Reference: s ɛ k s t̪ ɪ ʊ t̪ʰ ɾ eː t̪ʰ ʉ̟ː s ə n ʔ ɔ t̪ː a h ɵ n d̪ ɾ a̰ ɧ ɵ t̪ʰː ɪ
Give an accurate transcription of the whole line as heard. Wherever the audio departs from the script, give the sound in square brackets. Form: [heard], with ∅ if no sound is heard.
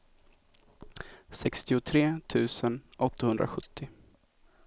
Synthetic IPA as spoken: s ɛ k s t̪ ɪ ʊ t̪ʰ ɾ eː t̪ʰ ʉ̟ː s ə n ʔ ɔ t̪ː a h ɵ n d̪ ɾ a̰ ɧ ɵ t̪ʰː ɪ